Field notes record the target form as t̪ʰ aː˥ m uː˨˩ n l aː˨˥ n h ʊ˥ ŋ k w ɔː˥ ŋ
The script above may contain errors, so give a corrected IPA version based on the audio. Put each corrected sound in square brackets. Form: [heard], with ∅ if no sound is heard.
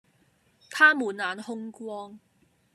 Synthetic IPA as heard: t̪ʰ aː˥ m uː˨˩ n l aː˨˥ n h ʊ˥ ŋ k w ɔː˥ ŋ